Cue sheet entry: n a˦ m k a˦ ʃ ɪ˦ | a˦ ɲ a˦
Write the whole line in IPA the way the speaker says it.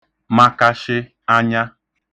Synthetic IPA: m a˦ k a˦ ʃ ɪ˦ | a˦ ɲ a˦